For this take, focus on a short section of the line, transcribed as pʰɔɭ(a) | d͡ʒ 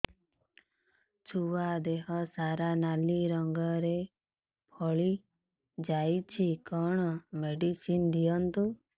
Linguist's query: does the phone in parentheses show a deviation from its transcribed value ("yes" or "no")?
yes